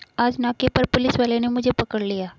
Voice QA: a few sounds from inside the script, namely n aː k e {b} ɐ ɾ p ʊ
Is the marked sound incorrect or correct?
incorrect